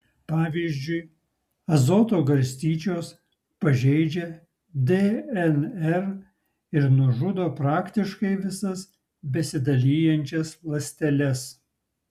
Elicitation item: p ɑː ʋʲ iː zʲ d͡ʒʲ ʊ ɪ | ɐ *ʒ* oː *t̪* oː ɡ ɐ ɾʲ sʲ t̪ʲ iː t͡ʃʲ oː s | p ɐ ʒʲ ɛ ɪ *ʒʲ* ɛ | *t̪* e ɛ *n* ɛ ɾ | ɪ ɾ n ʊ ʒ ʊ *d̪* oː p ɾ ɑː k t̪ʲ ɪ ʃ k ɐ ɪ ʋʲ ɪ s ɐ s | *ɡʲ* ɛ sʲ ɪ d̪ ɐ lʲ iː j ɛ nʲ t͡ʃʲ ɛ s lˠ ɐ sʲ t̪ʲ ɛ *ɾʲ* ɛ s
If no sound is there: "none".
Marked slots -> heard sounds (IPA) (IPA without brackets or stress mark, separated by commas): z, t̪, d͡ʒʲ, d̪, n, d̪, bʲ, lʲ